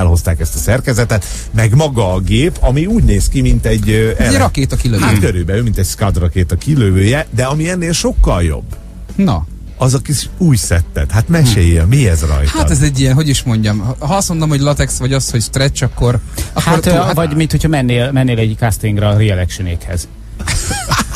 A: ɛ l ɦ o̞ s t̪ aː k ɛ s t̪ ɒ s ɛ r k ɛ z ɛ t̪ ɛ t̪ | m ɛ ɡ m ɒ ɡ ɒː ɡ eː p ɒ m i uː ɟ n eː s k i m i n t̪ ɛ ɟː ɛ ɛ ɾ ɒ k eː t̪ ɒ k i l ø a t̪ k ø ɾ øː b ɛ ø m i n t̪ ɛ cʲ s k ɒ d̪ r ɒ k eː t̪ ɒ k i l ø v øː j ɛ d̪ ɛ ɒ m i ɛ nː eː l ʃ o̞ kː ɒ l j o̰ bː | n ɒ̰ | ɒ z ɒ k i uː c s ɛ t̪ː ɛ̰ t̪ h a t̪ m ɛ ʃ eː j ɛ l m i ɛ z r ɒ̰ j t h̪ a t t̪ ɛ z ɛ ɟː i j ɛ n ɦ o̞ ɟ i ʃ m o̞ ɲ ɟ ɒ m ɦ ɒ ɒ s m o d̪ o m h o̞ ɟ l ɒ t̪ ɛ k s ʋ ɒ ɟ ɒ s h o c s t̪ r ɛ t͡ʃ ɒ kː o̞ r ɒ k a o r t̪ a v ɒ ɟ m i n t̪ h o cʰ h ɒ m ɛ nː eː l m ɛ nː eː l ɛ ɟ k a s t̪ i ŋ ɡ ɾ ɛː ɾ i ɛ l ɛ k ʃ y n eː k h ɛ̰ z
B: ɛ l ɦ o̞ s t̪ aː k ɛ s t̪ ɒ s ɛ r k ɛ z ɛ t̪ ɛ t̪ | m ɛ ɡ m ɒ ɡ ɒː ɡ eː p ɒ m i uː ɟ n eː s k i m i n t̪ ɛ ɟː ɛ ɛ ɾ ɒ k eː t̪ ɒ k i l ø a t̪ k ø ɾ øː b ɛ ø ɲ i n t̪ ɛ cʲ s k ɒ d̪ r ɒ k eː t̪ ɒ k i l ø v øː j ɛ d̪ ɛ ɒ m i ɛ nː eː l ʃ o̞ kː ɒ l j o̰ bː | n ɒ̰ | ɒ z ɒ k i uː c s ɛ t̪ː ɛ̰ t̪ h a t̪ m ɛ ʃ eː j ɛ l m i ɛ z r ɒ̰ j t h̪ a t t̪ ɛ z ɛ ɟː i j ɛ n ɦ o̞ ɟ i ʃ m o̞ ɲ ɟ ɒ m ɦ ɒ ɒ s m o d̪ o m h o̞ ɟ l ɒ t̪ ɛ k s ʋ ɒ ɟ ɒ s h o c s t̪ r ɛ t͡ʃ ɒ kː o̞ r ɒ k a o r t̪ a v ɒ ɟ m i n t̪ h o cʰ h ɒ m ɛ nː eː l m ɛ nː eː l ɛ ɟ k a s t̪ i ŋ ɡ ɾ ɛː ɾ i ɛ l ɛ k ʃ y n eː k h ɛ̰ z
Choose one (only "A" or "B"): A